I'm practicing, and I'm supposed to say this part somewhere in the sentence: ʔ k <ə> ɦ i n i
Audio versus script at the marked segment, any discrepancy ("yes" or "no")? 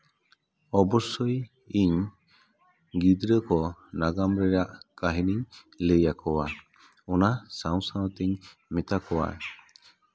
yes